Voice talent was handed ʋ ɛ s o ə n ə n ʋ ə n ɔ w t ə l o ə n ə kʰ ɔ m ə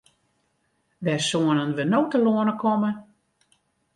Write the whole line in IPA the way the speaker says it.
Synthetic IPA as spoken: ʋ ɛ s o ə n ə n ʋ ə n o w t ə l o ə n ə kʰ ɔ m ə